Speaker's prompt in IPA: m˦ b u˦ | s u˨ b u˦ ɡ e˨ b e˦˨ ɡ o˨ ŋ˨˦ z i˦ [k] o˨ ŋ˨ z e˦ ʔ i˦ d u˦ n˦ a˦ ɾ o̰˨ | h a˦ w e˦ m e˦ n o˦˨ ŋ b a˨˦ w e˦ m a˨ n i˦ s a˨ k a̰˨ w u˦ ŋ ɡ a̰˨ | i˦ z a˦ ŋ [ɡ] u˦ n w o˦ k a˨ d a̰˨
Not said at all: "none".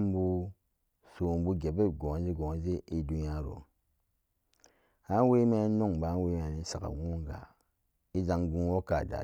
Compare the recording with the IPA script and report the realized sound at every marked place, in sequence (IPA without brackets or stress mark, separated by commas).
ɡ, ɡ